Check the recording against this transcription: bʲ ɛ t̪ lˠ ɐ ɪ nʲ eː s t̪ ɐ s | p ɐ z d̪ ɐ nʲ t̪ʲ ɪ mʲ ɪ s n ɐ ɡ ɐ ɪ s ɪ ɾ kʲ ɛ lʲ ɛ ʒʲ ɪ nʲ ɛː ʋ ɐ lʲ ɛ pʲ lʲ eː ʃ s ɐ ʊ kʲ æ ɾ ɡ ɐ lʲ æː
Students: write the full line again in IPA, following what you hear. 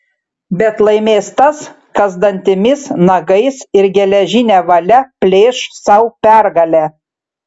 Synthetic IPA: bʲ ɛ t̪ lˠ ɐ ɪ mʲ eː s t̪ ɐ s | k ɐ z d̪ ɐ nʲ t̪ʲ ɪ mʲ ɪ s n ɐ ɡ ɐ ɪ s ɪ ɾ ɡʲ ɛ lʲ ɛ ʒʲ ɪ nʲ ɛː ʋ ɐ lʲ ɛ pʲ lʲ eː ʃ s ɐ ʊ pʲ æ ɾ ɡ ɐ lʲ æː

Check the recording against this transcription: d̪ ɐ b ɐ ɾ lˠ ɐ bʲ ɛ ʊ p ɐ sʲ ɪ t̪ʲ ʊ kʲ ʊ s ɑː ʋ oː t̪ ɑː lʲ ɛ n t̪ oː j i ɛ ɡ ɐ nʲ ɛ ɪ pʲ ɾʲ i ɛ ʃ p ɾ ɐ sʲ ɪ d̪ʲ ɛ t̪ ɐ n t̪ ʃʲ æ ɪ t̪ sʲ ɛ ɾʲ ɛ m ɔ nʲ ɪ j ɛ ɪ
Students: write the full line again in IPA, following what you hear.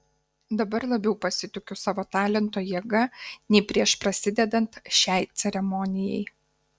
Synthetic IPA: d̪ ɐ b ɐ ɾ lˠ ɐ bʲ ɛ ʊ p ɐ sʲ ɪ t̪ʲ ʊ kʲ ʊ s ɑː ʋ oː t̪ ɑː lʲ ɛ n t̪ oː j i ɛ ɡ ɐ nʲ ɛ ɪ pʲ ɾʲ i ɛ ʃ p ɾ ɐ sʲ ɪ d̪ʲ ɛ d̪ ɐ n t̪ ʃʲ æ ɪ t̪ sʲ ɛ ɾʲ ɛ m ɔ nʲ ɪ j ɛ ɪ

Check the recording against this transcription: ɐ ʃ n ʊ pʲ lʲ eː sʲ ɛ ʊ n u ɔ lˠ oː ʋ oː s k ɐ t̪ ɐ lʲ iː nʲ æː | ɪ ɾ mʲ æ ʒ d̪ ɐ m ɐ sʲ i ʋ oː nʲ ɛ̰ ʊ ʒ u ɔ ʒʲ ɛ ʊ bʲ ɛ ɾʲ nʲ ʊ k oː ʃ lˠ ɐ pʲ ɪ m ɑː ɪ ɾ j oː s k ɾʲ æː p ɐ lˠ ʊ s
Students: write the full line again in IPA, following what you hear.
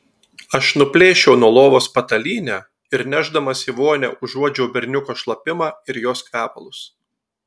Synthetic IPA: ɐ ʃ n ʊ pʲ lʲ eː ʃʲ ɛ ʊ n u ɔ lˠ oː ʋ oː s p ɐ t̪ ɐ lʲ iː nʲ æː | ɪ ɾ nʲ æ ʒ d̪ ɐ m ɐ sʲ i ʋ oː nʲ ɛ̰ ʊ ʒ u ɔ d͡ʒʲ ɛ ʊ bʲ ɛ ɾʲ nʲ ʊ k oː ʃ lˠ ɐ pʲ ɪ m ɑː ɪ ɾ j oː s k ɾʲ æː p ɐ lˠ ʊ s

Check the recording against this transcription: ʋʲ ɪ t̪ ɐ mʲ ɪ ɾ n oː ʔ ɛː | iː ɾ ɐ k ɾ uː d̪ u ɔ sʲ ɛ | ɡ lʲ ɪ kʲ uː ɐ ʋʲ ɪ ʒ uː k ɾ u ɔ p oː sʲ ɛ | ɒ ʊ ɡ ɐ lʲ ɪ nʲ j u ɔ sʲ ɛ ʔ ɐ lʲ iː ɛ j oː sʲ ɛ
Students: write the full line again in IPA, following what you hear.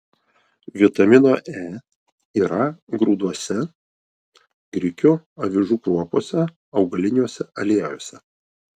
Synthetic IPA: ʋʲ ɪ t̪ ɐ mʲ ɪ n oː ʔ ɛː | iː ɾ ɐ ɡ ɾ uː d̪ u ɔ sʲ ɛ | ɡ ɾʲ ɪ kʲ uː ɐ ʋʲ ɪ ʒ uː k ɾ u ɔ p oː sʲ ɛ | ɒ ʊ ɡ ɐ lʲ ɪ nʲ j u ɔ sʲ ɛ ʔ ɐ lʲ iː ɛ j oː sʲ ɛ

